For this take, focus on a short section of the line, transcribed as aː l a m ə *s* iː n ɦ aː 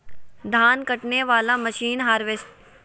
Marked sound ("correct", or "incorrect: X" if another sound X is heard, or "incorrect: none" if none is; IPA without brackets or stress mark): incorrect: ʃ